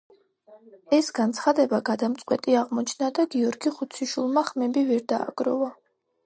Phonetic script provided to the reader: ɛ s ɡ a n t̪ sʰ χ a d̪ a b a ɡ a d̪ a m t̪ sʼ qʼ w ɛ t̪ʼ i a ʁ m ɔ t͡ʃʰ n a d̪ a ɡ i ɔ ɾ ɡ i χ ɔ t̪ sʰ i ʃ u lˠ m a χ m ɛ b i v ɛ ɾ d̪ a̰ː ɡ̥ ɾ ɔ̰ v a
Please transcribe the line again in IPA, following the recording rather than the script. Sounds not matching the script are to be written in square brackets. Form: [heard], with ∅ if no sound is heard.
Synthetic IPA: ɛ s ɡ a n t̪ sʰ χ a d̪ [ɛ] b a ɡ a d̪ a m t̪ sʼ qʼ w ɛ t̪ʼ i a ʁ m ɔ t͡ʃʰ n a d̪ a ɡ i ɔ ɾ ɡ i χ [u] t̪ sʰ i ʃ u lˠ m a χ m ɛ b i v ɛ ɾ d̪ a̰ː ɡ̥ ɾ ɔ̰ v a